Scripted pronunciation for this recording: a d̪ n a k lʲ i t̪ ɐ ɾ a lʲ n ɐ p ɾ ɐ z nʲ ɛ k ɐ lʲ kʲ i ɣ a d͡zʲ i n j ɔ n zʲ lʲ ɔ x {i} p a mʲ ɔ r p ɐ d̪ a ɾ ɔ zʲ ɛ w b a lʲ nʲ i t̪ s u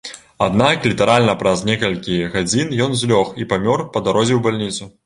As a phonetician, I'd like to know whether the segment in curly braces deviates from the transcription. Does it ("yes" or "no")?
no